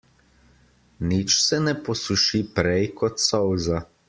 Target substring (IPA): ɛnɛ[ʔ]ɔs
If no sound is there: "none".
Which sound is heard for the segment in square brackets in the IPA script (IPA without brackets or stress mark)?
p